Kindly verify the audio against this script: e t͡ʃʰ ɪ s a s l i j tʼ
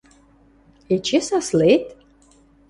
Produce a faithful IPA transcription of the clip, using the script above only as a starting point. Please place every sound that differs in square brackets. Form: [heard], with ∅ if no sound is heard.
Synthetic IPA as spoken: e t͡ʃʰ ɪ s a s l [e] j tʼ